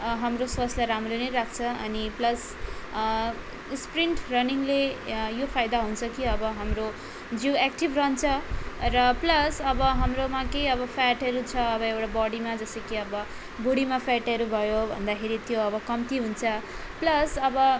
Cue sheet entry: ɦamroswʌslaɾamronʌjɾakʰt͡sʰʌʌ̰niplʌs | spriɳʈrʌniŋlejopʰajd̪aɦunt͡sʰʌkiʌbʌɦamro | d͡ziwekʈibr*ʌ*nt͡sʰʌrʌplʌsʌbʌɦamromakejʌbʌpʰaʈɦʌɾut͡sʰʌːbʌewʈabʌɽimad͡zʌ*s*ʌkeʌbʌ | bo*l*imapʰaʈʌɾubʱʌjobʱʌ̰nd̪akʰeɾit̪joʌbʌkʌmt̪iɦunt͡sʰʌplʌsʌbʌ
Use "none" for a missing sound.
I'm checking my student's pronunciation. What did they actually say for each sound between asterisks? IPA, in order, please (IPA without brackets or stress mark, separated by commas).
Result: ʌ, s, ɽ